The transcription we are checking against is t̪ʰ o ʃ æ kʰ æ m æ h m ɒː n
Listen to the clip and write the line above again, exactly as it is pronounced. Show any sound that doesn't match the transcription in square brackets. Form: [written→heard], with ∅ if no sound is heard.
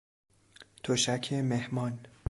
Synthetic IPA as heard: t̪ʰ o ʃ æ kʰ [æ→e] m [æ→e] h m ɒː n